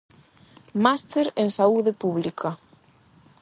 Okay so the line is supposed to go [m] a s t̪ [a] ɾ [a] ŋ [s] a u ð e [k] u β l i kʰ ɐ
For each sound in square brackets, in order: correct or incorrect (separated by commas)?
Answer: correct, incorrect, incorrect, correct, incorrect